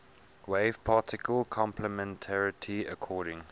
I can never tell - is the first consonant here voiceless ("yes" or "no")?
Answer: no